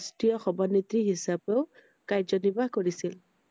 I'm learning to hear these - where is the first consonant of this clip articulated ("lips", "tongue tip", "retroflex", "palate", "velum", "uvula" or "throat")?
tongue tip